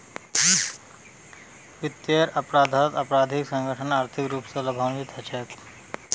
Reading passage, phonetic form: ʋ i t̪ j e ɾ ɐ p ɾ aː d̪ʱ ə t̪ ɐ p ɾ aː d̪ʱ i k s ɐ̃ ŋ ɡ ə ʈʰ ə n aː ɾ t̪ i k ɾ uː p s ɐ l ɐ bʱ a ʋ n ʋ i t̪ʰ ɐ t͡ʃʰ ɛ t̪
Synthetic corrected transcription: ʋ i t̪ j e ɾ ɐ p ɾ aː d̪ʱ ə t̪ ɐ p ɾ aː d̪ʱ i k s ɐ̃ ŋ ɡ ə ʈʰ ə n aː ɾ t̪ʰ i k ɾ uː p s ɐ l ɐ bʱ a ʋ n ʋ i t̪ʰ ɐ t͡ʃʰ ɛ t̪